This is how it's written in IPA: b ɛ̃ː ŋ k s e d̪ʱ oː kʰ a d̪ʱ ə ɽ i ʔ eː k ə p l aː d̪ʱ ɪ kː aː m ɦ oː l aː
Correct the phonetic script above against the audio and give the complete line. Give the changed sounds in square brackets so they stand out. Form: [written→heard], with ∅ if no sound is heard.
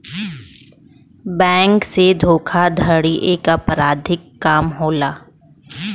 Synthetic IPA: b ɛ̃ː ŋ k s e d̪ʱ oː kʰ a d̪ʱ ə ɽ i ʔ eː k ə p [l→ɾ] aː d̪ʱ ɪ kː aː m ɦ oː l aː